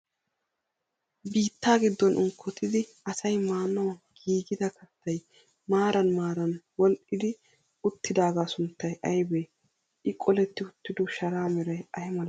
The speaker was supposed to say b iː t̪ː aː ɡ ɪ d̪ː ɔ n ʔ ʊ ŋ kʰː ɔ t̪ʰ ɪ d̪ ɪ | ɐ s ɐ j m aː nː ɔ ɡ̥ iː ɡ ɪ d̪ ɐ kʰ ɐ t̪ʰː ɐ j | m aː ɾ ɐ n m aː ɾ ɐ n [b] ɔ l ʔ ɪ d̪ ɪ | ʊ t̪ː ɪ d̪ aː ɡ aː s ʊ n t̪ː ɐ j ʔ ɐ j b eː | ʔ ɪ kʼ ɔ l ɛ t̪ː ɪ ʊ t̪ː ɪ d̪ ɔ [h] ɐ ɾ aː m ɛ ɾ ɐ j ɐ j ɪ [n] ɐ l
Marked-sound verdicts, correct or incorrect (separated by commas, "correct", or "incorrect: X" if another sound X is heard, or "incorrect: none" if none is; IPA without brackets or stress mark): incorrect: w, incorrect: ʃ, incorrect: m